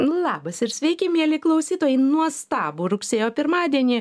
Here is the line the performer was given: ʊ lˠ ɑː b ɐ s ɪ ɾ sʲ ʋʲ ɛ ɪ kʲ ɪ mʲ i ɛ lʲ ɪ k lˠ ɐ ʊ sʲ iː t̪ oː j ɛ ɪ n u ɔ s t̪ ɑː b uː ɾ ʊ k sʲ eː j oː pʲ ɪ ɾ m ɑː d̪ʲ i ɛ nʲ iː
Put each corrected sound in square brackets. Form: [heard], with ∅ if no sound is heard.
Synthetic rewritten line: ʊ lˠ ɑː b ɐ s ɪ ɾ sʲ ʋʲ ɛ ɪ kʲ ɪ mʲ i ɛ lʲ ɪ k lˠ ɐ ʊ sʲ iː t̪ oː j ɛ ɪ n u ɔ s t̪ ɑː b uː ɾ ʊ k sʲ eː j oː pʲ ɪ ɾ m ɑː d̪ʲ i ɛ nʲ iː